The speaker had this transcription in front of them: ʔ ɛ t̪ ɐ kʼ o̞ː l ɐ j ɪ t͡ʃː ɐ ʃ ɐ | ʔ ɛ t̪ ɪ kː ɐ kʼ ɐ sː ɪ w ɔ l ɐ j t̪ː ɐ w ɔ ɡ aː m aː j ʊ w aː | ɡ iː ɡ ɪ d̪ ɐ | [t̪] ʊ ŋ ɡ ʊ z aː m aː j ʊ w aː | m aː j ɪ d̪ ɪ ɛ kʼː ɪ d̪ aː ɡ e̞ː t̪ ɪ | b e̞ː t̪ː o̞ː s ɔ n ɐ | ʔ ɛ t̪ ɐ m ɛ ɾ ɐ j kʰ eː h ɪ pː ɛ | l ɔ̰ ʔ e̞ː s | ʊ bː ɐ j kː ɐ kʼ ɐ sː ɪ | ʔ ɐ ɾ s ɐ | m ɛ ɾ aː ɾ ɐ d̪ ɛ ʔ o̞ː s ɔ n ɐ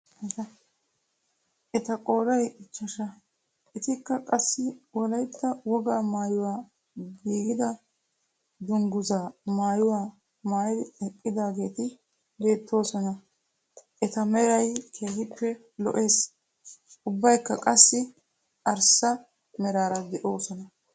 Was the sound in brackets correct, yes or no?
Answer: no